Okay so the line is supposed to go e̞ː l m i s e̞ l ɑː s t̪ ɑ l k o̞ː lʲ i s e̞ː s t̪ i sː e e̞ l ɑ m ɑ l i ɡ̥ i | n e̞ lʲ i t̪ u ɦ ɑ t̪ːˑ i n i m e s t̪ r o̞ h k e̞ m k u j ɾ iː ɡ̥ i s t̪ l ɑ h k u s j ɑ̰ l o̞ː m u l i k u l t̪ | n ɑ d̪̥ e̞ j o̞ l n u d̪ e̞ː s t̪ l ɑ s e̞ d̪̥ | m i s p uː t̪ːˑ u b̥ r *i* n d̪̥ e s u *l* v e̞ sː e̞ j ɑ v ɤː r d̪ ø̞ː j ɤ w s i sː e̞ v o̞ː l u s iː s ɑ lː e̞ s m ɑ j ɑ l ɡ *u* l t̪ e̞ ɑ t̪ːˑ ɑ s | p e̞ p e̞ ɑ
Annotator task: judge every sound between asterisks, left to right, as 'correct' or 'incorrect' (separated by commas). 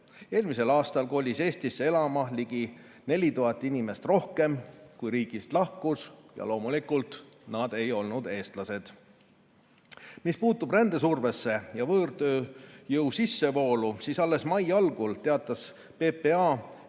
incorrect, incorrect, correct